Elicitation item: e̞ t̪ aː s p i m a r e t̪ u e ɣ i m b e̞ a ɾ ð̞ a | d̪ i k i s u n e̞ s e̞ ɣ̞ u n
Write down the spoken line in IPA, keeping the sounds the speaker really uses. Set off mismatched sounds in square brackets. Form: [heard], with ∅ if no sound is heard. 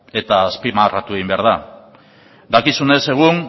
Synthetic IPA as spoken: e̞ t̪ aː s p i m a r [a] t̪ u e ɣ i m b e̞ a ɾ ð̞ a | d̪ [a] k i s u n e̞ s e̞ ɣ̞ u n

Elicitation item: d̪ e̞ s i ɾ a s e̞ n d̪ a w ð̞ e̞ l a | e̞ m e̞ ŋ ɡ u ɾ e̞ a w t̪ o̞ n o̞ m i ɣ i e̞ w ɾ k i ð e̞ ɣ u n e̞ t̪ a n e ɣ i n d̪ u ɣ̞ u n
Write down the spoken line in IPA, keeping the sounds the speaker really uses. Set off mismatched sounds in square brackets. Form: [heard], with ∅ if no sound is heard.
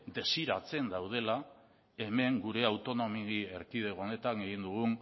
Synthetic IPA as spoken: d̪ e̞ s i ɾ a [t͡s] e̞ n d̪ a w ð̞ e̞ l a | e̞ m e̞ ŋ ɡ u ɾ e̞ a w t̪ o̞ n o̞ m i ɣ i e̞ [∅] ɾ k i ð e̞ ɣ [o] n e̞ t̪ a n e ɣ i n d̪ u ɣ̞ u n

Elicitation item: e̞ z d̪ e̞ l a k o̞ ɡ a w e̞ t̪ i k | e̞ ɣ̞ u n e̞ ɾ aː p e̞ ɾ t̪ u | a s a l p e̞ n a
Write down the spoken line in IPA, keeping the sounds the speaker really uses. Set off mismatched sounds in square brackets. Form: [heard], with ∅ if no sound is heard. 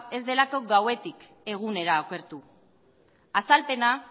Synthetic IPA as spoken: e̞ z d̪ e̞ l a k o̞ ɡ a w e̞ t̪ i k | e̞ ɣ̞ u n e̞ ɾ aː [k] e̞ ɾ t̪ u | a s a l p e̞ n a

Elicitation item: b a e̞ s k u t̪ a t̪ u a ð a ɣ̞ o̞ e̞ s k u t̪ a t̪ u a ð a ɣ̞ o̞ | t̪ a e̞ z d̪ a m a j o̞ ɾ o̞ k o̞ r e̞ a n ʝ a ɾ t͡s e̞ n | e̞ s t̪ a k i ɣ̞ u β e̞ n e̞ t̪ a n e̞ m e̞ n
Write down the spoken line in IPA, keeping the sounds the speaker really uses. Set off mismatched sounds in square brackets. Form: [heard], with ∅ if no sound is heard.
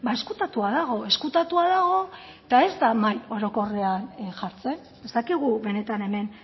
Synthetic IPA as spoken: b a e̞ s k u t̪ a t̪ u a ð a ɣ̞ o̞ e̞ s k u t̪ a t̪ u a ð a ɣ̞ o̞ | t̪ a e̞ z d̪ a m a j o̞ ɾ o̞ k o̞ r e̞ a n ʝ a ɾ t͡s e̞ n | e̞ s t̪ a k i ɣ̞ u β e̞ n e̞ t̪ a n e̞ m e̞ n

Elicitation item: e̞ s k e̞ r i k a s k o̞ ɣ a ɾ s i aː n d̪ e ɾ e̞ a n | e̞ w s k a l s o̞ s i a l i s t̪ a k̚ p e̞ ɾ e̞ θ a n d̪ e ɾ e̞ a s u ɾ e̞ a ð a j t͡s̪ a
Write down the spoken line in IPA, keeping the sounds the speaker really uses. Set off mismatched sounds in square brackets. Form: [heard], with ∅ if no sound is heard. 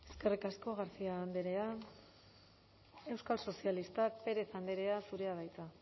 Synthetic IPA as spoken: e̞ s k e̞ r i k a s k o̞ ɣ a ɾ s i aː n d̪ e ɾ e̞ a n | e̞ w s k a l s o̞ s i a l i s t̪ a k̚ p e̞ ɾ e̞ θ a n d̪ e ɾ e̞ a s u ɾ e̞ a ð a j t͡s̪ a

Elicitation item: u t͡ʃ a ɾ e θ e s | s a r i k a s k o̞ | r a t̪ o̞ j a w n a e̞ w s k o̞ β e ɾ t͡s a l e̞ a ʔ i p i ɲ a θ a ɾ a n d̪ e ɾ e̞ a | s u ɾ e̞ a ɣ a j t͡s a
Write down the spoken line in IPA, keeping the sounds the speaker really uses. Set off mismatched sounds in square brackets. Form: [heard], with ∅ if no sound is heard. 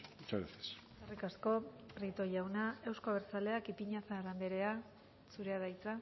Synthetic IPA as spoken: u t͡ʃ a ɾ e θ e s | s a r i k a s k o̞ | r [i] t̪ o̞ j a w n a e̞ w s k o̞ β e ɾ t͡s a l e̞ a [k] i p i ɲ a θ a ɾ a n d̪ e ɾ e̞ a | s u ɾ e̞ a [ð] a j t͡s a

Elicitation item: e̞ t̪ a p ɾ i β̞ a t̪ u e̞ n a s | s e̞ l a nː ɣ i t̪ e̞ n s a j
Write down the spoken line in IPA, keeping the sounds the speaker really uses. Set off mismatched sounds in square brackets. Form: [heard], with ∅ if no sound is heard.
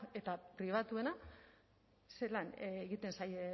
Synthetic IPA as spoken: e̞ t̪ a p ɾ i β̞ a t̪ u e̞ n a [∅] | s e̞ l a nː ɣ i t̪ e̞ n s a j

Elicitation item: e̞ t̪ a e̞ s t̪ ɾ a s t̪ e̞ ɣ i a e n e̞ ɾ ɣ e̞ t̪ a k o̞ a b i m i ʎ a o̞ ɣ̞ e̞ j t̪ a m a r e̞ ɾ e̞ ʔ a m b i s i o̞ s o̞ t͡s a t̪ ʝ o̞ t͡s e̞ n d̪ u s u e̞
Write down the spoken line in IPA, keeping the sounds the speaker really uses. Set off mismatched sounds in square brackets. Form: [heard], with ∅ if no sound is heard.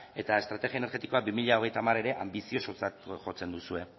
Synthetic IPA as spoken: e̞ t̪ a e̞ s t̪ ɾ a [∅] t̪ e̞ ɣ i a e n e̞ ɾ ɣ e̞ t̪ [i] k o̞ a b i m i ʎ a o̞ ɣ̞ e̞ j t̪ a m a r e̞ ɾ e̞ ʔ a m b i s i o̞ s o̞ t͡s a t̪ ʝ o̞ t͡s e̞ n d̪ u s u e̞

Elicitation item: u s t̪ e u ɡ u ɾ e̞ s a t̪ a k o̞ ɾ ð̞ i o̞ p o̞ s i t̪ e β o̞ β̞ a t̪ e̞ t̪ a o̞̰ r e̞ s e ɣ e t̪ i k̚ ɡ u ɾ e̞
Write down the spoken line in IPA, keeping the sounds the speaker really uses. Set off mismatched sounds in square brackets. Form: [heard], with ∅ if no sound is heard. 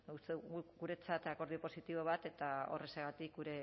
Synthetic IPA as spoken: u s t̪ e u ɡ u ɾ e̞ [t͡s] a t̪ a k o̞ ɾ ð̞ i o̞ p o̞ s i t̪ [i] β o̞ β̞ a t̪ e̞ t̪ a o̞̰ r e̞ s e ɣ [a] t̪ i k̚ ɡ u ɾ e̞

